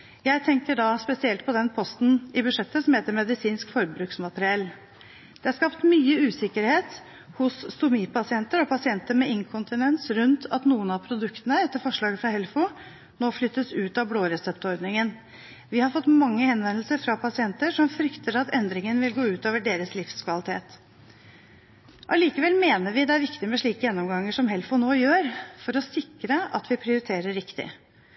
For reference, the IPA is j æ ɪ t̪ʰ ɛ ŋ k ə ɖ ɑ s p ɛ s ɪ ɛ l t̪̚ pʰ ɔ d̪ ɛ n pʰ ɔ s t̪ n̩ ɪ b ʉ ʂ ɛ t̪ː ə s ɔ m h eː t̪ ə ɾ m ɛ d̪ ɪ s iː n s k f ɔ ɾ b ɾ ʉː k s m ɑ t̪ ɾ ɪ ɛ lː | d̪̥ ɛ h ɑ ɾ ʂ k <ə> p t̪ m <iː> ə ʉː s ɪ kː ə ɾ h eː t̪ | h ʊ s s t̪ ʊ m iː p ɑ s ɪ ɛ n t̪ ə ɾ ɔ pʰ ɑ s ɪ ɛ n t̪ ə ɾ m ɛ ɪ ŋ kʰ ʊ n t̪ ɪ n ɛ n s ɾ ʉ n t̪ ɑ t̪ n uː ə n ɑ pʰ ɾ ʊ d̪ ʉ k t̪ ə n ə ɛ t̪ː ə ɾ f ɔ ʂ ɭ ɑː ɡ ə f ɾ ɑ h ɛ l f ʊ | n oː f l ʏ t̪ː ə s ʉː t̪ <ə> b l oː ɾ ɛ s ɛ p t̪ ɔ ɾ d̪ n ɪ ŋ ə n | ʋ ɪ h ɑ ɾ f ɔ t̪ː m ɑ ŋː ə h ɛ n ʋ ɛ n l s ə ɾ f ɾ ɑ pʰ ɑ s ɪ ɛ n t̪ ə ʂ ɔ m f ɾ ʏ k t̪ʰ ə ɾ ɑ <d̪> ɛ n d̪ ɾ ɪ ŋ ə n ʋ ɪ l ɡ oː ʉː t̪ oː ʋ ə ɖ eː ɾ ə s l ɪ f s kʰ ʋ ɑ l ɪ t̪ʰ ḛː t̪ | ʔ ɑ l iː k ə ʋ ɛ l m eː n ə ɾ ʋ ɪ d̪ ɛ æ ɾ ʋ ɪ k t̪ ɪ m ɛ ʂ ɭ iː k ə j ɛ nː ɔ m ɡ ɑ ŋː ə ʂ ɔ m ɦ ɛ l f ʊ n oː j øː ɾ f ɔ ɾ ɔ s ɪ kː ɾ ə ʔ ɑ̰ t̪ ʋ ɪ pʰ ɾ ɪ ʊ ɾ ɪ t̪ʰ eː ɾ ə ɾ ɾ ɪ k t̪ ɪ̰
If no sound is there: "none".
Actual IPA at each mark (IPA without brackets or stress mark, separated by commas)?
ɑ, yː, ɑ, t̪